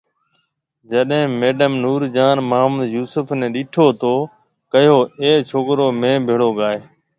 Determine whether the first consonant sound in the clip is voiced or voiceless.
voiced